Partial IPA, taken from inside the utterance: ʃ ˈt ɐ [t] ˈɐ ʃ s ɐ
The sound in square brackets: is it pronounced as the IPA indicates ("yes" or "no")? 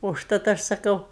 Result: yes